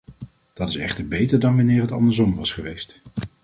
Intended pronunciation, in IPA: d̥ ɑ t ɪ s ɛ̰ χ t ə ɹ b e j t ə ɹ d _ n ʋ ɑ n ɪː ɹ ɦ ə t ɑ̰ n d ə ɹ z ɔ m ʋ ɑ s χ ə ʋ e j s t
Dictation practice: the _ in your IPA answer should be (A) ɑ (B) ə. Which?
A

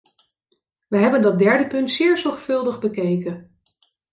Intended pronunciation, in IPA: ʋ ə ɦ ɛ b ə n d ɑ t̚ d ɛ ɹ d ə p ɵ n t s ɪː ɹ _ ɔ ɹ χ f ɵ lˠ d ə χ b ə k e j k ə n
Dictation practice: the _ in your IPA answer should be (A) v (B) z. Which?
B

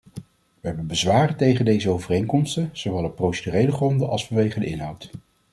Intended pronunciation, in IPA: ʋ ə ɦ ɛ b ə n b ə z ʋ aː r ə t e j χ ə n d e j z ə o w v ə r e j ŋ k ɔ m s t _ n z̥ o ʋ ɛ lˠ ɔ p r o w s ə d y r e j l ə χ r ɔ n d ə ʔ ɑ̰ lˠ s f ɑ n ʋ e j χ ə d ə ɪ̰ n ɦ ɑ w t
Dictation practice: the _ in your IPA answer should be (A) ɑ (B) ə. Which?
B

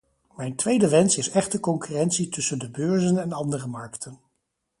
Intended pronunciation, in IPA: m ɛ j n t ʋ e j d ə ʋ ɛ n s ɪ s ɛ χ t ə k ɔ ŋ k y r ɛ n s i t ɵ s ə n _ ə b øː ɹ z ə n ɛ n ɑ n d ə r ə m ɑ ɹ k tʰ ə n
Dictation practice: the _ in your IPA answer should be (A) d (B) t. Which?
A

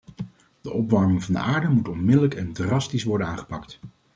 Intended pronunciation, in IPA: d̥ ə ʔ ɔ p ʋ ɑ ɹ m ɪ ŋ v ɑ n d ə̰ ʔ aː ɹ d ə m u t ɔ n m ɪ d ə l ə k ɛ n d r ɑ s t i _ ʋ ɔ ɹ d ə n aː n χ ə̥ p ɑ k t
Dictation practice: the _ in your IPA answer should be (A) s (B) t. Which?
A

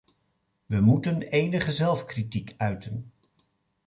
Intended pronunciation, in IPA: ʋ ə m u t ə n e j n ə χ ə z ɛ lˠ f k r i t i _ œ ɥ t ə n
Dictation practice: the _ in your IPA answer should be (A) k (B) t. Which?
A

